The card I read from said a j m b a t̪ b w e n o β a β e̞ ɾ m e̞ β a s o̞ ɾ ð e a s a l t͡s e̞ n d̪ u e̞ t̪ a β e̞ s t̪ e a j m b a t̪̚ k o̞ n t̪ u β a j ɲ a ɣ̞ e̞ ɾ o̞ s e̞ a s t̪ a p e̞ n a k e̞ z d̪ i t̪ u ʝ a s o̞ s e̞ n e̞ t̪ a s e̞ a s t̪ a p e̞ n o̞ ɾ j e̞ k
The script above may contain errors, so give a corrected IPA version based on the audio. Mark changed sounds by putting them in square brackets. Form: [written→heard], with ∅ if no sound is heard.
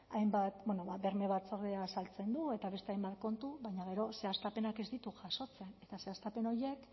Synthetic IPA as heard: a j m b a t̪ b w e n o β a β e̞ ɾ m e̞ β a [s→t͡s] o̞ ɾ ð e a s a l t͡s e̞ n d̪ u e̞ t̪ a β e̞ s t̪ e a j m b a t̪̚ k o̞ n t̪ u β a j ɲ a ɣ̞ e̞ ɾ o̞ s e̞ a s t̪ a p e̞ n a k e̞ z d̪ i t̪ u ʝ a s o̞ [s→t͡s] e̞ n e̞ t̪ a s e̞ a s t̪ a p e̞ n o̞ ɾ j e̞ k

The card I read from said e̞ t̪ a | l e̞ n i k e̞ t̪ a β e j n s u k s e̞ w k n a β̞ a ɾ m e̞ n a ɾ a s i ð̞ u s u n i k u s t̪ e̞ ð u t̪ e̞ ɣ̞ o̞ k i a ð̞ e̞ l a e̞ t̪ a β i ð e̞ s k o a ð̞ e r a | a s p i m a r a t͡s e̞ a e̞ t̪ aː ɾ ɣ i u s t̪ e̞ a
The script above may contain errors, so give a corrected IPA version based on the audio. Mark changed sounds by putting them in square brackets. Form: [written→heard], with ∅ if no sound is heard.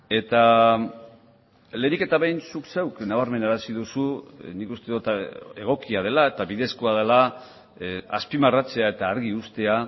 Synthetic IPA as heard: e̞ t̪ a | l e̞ n i k e̞ t̪ a β e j n s u k s e̞ w k n a β̞ a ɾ m e̞ n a ɾ a s i ð̞ u s u n i k u s t̪ e̞ ð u t̪ e̞ ɣ̞ o̞ k i a ð̞ e̞ l a e̞ t̪ a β i ð e̞ s k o a ð̞ e [r→l] a | a s p i m a r a t͡s e̞ a e̞ t̪ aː ɾ ɣ i u s t̪ e̞ a

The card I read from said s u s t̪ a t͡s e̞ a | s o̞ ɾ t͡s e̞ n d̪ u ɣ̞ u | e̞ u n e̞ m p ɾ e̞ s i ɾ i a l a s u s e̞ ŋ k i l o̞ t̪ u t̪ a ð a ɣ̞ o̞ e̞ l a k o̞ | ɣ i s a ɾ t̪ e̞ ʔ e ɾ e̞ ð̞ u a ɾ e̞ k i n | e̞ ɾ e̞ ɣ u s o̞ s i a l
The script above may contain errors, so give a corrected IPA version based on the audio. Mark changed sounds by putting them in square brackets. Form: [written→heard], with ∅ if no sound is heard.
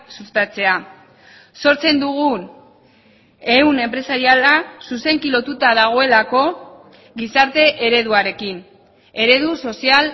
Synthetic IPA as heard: s u s t̪ a t͡s e̞ a | s o̞ ɾ t͡s e̞ n d̪ u ɣ̞ u | e̞ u n e̞ m p ɾ e̞ s [i→a] ɾ i a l a s u s e̞ ŋ k i l o̞ t̪ u t̪ a ð a ɣ̞ o̞ e̞ l a k o̞ | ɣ i s a ɾ t̪ e̞ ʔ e ɾ e̞ ð̞ u a ɾ e̞ k i n | e̞ ɾ e̞ [ɣ→ð] u s o̞ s i a l

